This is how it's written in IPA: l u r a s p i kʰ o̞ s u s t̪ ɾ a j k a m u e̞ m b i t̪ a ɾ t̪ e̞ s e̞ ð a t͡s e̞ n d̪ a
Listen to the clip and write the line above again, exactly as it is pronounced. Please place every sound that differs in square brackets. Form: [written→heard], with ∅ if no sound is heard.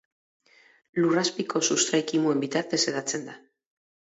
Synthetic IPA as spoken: l u r a s p i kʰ o̞ s u s t̪ ɾ a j k [a→i] m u e̞ m b i t̪ a ɾ t̪ e̞ s e̞ ð a t͡s e̞ n d̪ a